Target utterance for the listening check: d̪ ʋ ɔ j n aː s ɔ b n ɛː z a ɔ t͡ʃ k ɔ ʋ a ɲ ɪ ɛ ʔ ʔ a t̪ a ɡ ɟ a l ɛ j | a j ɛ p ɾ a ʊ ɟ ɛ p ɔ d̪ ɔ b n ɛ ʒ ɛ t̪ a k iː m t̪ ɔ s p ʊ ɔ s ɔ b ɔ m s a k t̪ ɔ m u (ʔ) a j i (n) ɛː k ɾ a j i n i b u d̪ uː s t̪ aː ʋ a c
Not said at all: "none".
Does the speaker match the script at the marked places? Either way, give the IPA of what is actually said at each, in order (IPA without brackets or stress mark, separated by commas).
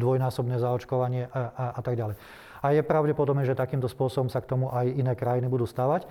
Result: ʔ, n